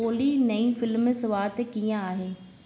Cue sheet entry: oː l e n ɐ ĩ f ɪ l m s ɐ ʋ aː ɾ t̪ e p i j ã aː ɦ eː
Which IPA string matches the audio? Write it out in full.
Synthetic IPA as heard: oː l i n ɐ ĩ f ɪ l m s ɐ ʋ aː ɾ t̪ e k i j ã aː ɦ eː